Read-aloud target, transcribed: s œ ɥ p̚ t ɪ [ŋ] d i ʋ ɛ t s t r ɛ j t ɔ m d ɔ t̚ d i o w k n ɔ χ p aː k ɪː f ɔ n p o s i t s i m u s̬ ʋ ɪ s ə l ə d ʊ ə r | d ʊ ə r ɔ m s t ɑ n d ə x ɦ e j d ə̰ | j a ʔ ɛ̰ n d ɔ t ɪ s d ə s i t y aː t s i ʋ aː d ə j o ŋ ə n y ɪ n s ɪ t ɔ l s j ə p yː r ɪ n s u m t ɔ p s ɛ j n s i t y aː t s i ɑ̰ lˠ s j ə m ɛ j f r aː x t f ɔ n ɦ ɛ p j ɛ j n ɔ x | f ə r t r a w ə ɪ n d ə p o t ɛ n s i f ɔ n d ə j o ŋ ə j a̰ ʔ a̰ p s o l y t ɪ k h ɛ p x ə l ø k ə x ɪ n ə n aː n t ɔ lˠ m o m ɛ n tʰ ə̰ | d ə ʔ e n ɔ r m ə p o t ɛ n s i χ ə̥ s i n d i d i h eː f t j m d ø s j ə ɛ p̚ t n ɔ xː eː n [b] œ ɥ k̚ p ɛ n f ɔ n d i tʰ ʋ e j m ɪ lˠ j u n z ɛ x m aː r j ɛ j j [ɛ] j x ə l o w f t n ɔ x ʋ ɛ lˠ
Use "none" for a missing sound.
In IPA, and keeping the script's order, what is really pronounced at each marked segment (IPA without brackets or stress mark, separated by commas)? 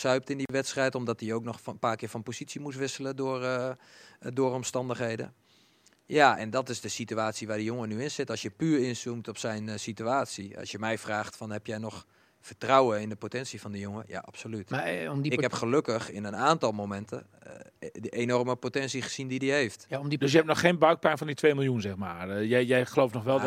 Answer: n, b, ɛ